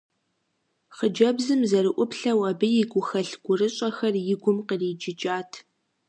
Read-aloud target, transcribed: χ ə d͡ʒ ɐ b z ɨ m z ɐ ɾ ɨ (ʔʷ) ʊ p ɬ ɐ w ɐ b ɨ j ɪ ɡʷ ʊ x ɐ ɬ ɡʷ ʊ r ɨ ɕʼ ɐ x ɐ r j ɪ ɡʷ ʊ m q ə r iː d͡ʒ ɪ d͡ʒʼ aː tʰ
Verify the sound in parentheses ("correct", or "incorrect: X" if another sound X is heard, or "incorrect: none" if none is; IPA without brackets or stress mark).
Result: correct